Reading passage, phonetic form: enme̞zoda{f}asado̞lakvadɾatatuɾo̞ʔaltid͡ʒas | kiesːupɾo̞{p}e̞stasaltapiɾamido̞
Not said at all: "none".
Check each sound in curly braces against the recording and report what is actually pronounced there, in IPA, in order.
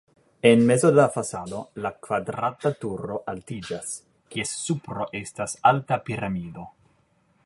f, ʔ

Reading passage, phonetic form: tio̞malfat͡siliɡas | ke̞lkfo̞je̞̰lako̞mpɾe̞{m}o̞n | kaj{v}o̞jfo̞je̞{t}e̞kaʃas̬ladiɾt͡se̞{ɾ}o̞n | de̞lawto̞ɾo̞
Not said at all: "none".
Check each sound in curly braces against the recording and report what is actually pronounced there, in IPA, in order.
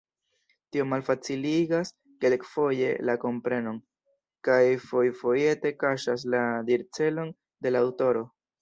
n, f, t, l

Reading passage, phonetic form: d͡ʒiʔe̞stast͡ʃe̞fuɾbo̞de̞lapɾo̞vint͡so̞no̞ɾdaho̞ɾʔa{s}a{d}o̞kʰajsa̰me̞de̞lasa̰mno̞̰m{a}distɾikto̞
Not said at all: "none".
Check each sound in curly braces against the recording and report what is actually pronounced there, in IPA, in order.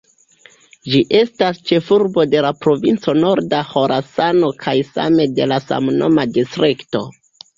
s, n, a

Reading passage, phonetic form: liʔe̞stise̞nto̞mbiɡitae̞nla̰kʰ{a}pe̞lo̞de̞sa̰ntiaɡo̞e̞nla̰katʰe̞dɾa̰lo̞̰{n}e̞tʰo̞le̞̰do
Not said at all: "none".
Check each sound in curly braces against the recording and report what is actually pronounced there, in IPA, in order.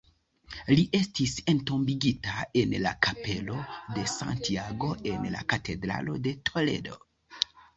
a, d

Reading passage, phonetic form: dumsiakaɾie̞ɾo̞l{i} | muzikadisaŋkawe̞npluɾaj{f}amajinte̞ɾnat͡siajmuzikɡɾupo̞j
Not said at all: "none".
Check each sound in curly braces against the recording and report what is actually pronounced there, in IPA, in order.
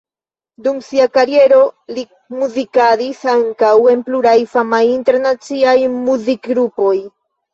i, f

